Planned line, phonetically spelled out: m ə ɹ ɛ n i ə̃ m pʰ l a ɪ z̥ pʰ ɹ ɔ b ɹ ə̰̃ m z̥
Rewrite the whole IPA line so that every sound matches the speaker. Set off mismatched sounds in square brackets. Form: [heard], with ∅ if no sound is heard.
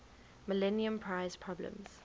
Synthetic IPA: m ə [l] ɛ n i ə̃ m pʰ [ɹ] a ɪ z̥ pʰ ɹ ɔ b [l] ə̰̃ m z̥